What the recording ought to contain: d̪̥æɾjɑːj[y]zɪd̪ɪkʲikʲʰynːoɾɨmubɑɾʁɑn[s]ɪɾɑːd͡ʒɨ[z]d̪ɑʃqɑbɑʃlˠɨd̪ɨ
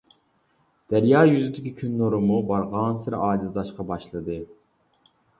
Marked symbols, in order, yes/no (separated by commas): yes, yes, yes